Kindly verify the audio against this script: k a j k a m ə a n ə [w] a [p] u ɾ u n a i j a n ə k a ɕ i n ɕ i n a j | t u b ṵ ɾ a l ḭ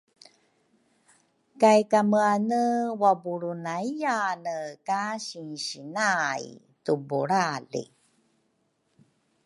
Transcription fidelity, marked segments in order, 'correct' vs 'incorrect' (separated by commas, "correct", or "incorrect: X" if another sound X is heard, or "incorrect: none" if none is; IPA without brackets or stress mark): correct, incorrect: b